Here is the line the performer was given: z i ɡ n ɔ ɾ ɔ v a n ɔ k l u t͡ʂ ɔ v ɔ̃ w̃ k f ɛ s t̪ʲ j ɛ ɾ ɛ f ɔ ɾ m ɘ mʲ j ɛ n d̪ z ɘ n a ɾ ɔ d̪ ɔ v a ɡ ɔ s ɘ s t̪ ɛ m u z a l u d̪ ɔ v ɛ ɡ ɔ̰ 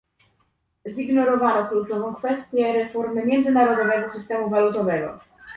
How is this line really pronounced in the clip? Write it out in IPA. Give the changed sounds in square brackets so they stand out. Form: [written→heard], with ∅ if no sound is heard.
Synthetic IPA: z i ɡ n ɔ ɾ ɔ v a n ɔ k l u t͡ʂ ɔ v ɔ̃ w̃ k f ɛ s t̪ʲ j ɛ ɾ ɛ f ɔ ɾ m ɘ mʲ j ɛ n d̪ z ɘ n a ɾ ɔ d̪ ɔ v [a→ɛ] ɡ ɔ s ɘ s t̪ ɛ m u [z→v] a l u [d̪→t̪] ɔ v ɛ ɡ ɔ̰